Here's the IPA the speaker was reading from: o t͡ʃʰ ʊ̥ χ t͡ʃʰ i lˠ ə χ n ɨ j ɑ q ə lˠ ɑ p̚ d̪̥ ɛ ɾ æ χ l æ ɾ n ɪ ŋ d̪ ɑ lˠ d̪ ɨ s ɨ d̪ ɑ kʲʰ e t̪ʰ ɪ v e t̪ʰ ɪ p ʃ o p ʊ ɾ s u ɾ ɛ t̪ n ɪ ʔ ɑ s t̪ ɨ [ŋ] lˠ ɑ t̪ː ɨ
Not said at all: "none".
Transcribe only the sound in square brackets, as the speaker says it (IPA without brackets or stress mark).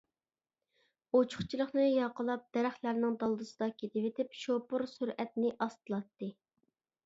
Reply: none